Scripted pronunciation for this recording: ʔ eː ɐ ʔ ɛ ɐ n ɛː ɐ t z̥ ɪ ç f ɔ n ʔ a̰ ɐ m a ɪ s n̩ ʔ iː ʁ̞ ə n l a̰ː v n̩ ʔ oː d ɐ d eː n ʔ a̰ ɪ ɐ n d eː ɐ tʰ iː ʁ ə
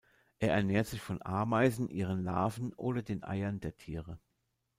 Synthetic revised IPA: ʔ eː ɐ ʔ ɛ ɐ n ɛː ɐ t z̥ ɪ ç f ɔ n ʔ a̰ ɐ m a ɪ z n̩ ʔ iː ʁ̞ ə n l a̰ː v n̩ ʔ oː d ɐ d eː n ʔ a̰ ɪ ɐ n d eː ɐ tʰ iː ʁ ə